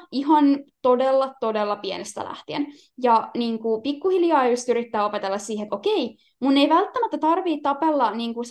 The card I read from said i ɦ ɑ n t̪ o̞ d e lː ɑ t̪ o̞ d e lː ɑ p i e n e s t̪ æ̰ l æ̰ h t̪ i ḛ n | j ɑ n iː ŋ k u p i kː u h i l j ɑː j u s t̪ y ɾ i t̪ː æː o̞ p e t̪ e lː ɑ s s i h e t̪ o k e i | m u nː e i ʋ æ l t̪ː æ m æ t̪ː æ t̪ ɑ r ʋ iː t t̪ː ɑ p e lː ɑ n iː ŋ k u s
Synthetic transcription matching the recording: i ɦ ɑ n t̪ o̞ d e lː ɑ t̪ o̞ d e lː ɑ p i e n e s t̪ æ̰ l æ̰ h t̪ i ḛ n | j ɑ n iː ŋ k u p i kː u h i l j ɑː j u s t̪ y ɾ i t̪ː æː o̞ p e t̪ e lː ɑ s s iː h e t̪ o k e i | m u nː e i ʋ æ l t̪ː æ m æ t̪ː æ t̪ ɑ r ʋ iː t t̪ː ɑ p e lː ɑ n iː ŋ k u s